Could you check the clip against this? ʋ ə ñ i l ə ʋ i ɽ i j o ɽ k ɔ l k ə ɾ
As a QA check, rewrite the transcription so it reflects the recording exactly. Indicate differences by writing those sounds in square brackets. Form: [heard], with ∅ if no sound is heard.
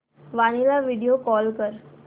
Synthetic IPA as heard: ʋ [a] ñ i l [a] ʋ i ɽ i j o [∅] k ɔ l k ə ɾ